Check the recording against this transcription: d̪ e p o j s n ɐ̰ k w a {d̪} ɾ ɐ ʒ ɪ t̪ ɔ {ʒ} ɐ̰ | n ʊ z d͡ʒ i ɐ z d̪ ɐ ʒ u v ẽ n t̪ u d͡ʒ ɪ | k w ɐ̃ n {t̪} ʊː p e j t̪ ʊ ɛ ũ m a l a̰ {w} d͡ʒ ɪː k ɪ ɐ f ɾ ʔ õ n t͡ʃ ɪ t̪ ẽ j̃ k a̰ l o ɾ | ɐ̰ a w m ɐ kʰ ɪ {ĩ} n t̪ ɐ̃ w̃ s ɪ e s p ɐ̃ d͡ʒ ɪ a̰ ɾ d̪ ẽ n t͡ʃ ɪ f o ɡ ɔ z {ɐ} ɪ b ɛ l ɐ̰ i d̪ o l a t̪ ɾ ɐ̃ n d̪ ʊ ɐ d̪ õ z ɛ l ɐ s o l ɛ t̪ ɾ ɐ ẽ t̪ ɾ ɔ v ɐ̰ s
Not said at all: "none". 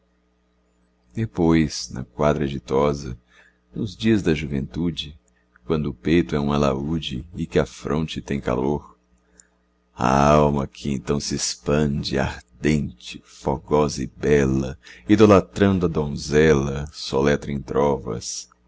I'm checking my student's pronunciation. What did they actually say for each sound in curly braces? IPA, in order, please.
d̪, z, d̪, u, ẽ, ɐ

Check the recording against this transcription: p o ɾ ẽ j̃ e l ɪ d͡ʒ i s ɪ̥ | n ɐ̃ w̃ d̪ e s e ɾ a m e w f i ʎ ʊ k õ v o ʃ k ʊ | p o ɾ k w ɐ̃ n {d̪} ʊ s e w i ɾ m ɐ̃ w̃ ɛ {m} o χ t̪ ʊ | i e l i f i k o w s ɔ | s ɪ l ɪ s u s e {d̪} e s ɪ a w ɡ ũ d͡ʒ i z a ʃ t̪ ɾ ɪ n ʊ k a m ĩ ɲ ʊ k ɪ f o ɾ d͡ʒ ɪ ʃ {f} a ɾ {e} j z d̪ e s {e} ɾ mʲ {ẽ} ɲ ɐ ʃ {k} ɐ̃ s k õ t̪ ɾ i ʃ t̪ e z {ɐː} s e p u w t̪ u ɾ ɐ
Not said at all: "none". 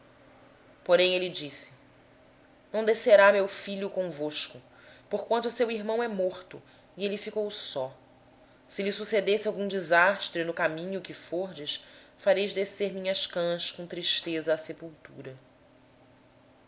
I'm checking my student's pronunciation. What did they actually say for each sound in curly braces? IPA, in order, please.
t̪, m, d̪, f, e, e, ĩ, k, ɐː

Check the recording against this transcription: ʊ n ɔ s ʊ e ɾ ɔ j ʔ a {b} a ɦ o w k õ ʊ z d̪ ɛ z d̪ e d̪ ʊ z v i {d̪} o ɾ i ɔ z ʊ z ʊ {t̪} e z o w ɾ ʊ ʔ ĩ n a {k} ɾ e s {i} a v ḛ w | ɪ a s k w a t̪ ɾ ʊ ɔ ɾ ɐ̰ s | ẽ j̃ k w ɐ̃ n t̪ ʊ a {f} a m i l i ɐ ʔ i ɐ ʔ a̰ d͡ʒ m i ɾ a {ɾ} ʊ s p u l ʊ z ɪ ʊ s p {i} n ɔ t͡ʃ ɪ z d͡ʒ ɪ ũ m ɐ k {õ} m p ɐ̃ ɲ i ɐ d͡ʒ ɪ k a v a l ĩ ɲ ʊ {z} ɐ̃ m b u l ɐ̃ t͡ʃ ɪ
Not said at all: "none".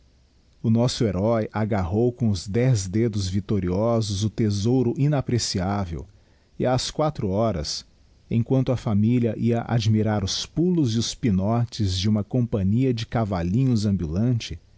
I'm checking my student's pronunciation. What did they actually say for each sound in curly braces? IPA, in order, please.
ɡ, t̪, t̪, p, i, f, ɾ, i, õ, z

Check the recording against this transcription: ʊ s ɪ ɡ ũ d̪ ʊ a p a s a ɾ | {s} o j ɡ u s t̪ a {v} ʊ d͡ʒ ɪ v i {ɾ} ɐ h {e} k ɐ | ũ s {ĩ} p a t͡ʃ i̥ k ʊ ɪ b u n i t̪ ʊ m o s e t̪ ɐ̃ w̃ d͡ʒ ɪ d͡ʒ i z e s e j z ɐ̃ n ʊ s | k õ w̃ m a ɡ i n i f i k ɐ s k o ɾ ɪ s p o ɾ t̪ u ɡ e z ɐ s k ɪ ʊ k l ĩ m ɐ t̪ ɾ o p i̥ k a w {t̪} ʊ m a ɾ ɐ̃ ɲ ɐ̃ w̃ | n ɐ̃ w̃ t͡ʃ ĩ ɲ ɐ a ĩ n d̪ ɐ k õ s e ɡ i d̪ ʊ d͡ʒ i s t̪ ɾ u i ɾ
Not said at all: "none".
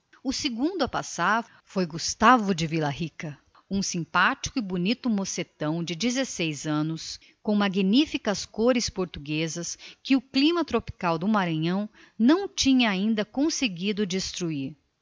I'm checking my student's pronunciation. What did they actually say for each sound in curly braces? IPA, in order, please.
f, v, l, i, ĩ, d̪

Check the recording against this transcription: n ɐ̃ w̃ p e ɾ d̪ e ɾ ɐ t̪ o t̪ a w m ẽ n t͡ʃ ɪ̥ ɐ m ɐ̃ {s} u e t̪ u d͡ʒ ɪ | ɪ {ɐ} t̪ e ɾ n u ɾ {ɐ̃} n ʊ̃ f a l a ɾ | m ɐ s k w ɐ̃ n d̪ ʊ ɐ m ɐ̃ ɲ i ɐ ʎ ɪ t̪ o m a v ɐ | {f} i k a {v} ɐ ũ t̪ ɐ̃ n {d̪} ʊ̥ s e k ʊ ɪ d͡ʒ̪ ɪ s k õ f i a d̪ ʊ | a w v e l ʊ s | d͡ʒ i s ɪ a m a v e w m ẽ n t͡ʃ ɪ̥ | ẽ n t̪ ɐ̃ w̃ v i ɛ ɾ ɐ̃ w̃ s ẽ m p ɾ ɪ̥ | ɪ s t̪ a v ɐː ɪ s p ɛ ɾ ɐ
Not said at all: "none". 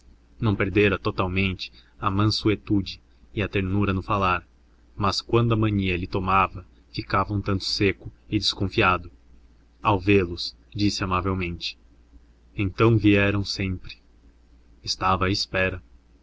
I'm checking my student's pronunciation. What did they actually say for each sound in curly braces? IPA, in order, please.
s, ɐ, ɐ, f, v, t̪

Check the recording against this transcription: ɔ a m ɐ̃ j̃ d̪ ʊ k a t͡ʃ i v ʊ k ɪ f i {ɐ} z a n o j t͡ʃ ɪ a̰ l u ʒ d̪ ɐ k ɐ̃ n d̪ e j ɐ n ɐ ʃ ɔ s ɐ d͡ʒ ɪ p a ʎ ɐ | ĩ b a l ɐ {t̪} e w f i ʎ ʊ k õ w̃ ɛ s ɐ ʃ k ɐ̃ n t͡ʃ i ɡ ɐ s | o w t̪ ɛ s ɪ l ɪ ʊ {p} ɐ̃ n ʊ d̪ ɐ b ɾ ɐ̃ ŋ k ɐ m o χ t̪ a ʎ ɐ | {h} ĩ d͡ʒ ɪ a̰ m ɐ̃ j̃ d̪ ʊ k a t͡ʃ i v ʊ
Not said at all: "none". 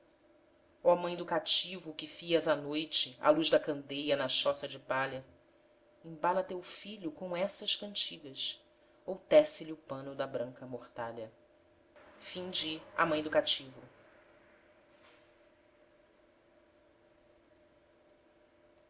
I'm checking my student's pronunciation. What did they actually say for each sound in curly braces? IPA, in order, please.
ɐ, t̪, p, f

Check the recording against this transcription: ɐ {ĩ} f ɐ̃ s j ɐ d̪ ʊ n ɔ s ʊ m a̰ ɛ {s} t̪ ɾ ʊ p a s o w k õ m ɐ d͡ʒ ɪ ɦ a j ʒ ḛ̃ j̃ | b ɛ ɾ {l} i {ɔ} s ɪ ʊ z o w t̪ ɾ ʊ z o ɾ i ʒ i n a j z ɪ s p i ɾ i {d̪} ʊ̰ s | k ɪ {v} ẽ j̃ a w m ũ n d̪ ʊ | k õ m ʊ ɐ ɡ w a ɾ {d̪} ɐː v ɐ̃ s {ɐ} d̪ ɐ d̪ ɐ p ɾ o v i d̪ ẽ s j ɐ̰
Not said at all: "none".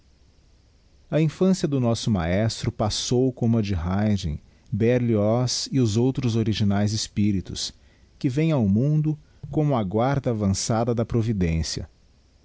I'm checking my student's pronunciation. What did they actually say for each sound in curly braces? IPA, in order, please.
ĩ, s, l, ɔ, t̪, v, d̪, a

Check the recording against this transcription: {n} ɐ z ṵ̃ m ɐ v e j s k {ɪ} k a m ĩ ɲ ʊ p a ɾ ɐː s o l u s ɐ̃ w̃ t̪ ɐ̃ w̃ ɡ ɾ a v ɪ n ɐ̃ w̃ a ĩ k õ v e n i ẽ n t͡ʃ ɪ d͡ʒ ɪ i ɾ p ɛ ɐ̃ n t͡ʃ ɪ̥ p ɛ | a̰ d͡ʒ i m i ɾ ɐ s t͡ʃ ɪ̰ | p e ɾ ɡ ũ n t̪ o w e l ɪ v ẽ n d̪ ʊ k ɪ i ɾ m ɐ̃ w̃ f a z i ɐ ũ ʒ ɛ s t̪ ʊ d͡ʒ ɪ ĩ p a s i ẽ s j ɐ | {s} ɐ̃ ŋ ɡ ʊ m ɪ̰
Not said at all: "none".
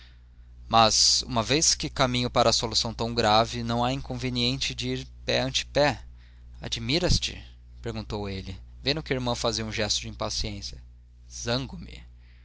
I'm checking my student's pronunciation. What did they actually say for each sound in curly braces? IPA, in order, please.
m, ɪ, z

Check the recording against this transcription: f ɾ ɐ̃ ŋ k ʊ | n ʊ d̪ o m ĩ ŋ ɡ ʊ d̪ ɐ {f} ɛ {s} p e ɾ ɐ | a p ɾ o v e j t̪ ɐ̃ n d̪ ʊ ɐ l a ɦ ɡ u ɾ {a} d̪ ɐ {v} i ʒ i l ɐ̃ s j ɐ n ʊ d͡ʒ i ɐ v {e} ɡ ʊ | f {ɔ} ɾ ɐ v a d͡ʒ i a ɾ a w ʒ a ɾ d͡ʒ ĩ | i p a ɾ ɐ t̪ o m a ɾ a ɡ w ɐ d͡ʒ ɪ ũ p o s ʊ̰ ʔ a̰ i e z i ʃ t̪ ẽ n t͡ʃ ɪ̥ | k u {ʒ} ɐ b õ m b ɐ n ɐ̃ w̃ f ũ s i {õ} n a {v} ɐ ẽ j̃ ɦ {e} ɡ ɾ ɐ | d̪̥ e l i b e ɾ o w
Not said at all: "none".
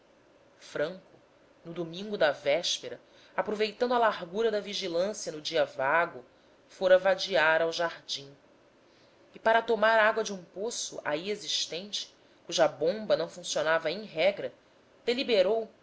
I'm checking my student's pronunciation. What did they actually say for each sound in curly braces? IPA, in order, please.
v, ʃ, ɐ, v, a, o, ʒ, o, v, ɛ

